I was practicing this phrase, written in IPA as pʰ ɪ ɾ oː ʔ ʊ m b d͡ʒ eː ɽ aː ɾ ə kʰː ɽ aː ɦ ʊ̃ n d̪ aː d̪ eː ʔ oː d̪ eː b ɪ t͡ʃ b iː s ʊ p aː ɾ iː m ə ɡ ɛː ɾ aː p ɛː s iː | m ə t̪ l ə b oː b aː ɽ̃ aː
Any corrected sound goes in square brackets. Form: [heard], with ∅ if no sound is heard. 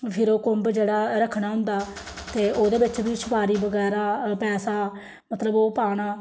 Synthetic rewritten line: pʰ ɪ ɾ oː [k] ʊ m b d͡ʒ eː ɽ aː ɾ ə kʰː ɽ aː ɦ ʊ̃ n d̪ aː [t̪] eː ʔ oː d̪ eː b ɪ t͡ʃ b iː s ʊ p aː ɾ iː [b] ə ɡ ɛː ɾ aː p ɛː s [aː] | m ə t̪ l ə b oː [p] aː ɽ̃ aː